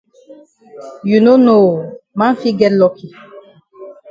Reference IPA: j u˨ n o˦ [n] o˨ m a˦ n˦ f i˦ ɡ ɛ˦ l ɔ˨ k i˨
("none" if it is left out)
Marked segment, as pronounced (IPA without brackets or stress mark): n